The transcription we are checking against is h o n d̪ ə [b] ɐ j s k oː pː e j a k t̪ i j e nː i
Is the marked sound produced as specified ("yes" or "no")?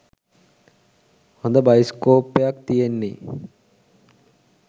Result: yes